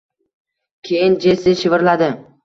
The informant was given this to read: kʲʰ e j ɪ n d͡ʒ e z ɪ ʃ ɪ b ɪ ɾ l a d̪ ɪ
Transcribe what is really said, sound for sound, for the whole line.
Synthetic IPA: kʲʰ e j ɪ n d͡ʒ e s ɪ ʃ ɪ v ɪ ɾ l a d̪ ɪ